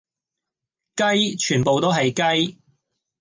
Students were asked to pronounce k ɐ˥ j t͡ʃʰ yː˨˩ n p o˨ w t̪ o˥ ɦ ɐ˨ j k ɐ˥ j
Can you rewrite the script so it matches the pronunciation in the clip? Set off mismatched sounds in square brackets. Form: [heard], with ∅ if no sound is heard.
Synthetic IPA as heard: k ɐ˥ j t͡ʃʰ yː˨˩ n p o˨ w t̪ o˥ ɦ ɐ˨ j k ɐ˥ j